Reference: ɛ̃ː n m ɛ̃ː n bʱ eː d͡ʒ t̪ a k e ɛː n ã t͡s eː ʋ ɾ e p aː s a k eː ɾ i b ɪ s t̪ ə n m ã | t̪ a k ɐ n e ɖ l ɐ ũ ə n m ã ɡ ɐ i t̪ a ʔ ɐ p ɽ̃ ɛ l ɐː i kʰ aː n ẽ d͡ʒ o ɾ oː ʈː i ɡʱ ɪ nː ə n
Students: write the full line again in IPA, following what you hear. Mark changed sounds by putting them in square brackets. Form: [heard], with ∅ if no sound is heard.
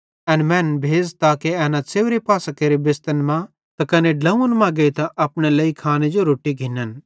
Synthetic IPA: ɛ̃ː n m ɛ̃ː n bʱ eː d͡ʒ t̪ a k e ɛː n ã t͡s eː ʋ ɾ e p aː s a k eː ɾ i b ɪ s t̪ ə n m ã | t̪ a k ɐ n e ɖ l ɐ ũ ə n m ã ɡ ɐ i t̪ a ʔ ɐ p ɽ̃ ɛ l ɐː i kʰ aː n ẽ d͡ʒ o ɾ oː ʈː i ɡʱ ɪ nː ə n